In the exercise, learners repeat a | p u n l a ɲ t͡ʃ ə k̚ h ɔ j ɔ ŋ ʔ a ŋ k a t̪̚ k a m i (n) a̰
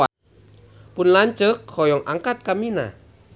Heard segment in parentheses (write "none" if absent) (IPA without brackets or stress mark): n